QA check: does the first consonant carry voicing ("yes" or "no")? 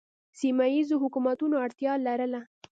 no